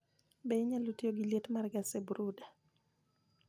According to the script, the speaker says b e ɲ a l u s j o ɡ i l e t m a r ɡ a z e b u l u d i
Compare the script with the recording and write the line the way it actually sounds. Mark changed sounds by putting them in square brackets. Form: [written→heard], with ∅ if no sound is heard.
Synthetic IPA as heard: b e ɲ a l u [s→t] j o ɡ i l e t m a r ɡ a [z→s] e b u [l→ɾ] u d [i→a]